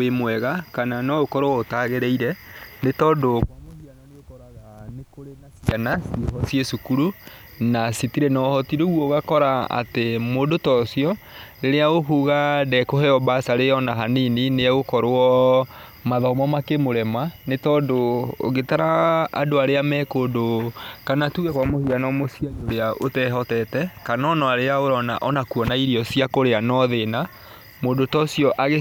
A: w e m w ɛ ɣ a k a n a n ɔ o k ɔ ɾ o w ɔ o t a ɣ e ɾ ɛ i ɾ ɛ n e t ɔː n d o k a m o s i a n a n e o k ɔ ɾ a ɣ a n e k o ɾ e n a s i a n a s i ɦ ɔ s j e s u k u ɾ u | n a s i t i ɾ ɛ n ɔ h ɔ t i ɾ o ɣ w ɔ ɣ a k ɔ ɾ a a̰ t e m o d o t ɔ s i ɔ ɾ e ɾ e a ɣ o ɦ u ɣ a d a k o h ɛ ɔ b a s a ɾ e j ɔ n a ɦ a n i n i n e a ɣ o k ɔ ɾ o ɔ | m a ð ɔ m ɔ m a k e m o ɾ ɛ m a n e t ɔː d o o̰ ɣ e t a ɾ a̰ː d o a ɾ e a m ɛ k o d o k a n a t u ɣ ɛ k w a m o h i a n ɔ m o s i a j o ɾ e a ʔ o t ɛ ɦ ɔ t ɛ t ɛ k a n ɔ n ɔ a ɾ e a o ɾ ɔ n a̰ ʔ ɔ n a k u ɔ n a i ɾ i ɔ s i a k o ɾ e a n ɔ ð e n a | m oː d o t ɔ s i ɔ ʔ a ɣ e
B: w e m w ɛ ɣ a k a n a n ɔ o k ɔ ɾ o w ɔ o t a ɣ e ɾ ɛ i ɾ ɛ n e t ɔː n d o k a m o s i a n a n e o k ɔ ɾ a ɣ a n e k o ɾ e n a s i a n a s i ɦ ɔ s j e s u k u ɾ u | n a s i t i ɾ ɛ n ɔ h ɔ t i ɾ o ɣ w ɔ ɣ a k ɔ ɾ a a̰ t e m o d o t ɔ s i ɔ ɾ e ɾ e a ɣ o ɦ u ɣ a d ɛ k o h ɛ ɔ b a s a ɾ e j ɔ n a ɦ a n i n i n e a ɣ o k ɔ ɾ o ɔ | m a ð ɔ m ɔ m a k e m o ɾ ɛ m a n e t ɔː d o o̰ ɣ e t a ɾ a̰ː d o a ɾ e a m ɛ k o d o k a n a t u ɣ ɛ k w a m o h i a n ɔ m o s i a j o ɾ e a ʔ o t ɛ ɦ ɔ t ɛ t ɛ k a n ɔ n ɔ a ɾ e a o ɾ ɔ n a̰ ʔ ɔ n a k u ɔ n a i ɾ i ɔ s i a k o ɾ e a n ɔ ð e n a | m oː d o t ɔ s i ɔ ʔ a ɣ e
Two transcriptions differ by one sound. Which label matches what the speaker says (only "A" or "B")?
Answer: B